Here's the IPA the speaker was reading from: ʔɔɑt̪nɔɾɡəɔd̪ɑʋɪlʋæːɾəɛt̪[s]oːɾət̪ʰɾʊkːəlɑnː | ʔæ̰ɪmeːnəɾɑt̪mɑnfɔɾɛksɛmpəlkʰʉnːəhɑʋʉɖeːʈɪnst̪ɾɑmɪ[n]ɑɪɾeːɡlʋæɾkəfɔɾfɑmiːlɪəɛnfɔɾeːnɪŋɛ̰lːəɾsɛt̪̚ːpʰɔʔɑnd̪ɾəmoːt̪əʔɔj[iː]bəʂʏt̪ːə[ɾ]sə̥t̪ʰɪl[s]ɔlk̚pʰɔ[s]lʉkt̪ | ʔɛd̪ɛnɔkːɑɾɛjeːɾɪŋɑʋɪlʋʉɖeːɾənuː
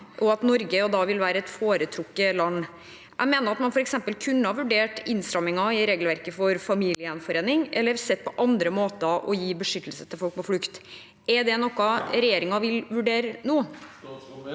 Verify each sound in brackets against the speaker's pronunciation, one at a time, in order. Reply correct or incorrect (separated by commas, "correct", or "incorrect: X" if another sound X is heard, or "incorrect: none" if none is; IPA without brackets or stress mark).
incorrect: f, incorrect: ŋ, correct, incorrect: l, incorrect: f, incorrect: f